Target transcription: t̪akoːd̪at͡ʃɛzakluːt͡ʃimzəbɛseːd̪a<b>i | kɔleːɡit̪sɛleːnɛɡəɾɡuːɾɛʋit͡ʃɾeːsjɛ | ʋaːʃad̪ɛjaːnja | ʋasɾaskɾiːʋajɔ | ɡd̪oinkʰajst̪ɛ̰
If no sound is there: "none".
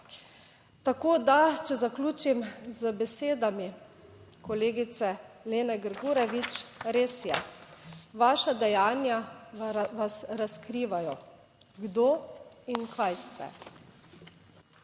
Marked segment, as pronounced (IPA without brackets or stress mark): m